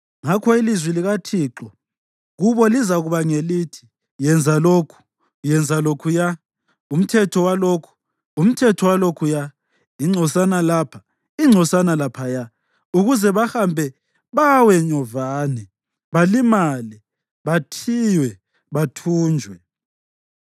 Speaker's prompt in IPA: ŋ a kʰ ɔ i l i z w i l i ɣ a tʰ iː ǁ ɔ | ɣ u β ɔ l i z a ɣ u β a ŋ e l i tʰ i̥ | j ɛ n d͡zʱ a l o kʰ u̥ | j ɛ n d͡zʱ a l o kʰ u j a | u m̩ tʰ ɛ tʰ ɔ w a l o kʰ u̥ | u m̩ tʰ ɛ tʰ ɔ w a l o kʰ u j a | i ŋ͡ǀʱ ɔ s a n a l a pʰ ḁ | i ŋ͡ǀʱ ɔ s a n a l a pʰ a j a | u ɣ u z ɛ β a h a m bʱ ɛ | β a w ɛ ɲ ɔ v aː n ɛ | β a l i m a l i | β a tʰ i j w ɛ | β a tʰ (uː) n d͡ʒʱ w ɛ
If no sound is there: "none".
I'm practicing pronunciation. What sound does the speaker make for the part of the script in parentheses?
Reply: uː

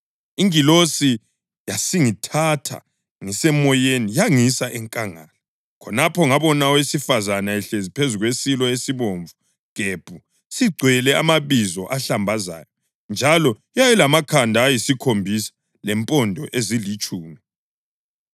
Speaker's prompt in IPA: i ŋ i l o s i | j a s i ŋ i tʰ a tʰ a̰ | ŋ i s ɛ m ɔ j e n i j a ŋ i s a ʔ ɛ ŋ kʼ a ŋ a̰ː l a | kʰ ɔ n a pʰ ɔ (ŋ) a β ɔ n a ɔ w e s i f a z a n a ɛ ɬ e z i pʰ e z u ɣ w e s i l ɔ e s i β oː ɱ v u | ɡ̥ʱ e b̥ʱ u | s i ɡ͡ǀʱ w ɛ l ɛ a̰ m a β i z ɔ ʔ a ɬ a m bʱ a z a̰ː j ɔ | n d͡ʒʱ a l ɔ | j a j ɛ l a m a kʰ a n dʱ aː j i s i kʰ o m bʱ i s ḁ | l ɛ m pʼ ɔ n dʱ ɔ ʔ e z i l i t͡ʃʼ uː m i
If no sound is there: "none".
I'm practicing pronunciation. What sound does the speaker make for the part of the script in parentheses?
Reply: ŋ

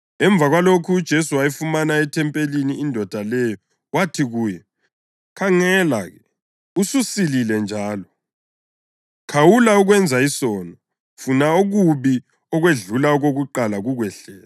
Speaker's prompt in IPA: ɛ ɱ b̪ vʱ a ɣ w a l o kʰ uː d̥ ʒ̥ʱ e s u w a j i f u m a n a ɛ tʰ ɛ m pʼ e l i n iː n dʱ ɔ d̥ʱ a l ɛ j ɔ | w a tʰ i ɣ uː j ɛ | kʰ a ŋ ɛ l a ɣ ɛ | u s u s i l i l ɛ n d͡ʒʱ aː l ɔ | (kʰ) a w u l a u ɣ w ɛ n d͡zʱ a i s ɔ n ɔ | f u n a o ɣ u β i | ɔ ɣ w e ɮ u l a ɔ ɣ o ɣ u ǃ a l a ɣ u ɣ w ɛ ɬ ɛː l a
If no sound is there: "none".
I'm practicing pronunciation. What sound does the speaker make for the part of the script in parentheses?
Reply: kʰ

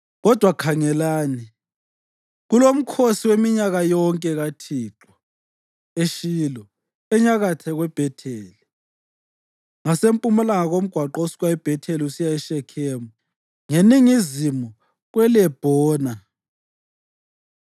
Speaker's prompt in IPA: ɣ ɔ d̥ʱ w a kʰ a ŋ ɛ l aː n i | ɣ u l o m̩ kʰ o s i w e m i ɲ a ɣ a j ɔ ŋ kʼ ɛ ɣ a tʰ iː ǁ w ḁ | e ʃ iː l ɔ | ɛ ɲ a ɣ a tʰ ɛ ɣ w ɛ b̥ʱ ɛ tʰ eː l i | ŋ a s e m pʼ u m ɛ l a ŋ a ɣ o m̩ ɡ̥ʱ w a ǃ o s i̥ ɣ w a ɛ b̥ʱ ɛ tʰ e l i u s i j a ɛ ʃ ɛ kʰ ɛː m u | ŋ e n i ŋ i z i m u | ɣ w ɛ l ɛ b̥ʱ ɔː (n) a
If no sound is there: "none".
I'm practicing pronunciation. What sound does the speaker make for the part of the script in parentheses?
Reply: n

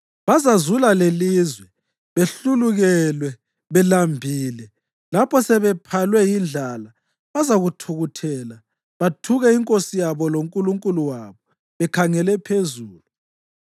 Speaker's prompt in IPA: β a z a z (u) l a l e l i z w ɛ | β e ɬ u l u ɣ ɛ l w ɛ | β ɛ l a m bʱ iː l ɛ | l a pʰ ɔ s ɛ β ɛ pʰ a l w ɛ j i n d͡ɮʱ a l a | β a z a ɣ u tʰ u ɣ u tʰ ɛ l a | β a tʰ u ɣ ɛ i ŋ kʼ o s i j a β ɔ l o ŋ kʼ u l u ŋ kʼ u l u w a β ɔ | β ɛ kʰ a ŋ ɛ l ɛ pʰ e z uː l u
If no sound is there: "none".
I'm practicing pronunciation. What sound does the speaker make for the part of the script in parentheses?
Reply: u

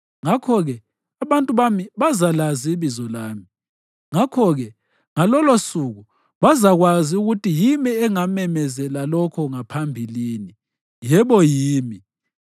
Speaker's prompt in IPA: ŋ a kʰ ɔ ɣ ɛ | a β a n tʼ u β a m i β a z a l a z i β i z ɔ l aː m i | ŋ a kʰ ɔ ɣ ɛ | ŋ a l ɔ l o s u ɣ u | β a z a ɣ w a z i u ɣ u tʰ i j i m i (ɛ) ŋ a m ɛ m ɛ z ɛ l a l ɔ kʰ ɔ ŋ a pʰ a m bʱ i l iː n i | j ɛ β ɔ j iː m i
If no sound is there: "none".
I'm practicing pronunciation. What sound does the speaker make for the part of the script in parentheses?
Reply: ɛ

